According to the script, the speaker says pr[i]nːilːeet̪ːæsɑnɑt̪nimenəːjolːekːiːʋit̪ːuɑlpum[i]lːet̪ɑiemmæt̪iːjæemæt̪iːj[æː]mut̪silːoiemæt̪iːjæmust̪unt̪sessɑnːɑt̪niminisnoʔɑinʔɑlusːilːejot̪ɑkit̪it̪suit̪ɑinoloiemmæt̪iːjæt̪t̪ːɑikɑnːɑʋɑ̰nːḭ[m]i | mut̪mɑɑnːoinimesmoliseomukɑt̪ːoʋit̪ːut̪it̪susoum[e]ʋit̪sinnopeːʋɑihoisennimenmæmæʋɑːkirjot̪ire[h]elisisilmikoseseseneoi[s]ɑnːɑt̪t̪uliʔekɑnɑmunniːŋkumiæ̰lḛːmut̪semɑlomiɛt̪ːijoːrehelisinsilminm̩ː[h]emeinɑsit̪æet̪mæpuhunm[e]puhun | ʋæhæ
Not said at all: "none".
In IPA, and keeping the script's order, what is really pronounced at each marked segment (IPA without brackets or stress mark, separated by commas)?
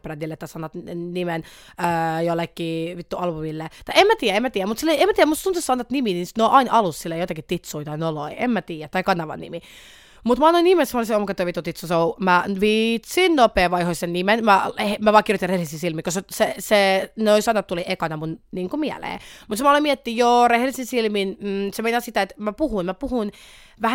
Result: æ, i, æ, m, æ, h, s, s, æ